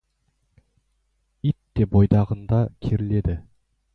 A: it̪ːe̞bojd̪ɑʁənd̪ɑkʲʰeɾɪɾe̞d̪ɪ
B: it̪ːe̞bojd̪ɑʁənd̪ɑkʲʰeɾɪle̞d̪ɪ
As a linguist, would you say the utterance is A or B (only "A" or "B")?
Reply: B